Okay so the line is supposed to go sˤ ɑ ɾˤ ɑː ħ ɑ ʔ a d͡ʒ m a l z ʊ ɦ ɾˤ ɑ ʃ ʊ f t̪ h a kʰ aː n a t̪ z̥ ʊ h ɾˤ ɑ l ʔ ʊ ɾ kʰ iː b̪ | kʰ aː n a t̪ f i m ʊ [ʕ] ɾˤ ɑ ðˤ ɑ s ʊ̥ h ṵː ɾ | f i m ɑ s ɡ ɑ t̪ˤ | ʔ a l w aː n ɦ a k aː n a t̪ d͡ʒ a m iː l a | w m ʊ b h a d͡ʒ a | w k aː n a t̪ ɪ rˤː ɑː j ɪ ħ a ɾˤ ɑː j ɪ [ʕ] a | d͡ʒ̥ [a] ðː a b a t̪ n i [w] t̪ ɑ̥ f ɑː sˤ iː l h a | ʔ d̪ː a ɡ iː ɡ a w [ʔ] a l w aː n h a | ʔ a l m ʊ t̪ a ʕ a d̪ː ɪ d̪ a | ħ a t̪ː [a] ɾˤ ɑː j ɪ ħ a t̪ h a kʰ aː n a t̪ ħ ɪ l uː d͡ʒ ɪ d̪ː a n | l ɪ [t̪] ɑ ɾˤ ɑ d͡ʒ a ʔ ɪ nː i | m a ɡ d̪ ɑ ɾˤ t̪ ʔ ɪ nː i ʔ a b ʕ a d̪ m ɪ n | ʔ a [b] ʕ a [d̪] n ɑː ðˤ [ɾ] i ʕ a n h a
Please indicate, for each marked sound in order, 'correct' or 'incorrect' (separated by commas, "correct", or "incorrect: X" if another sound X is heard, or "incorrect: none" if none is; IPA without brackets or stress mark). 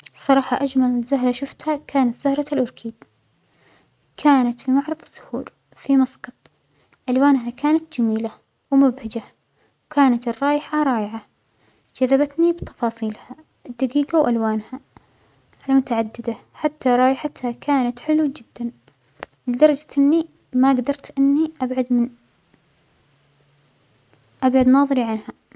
correct, correct, correct, incorrect: b, correct, correct, incorrect: d̪, correct, correct, correct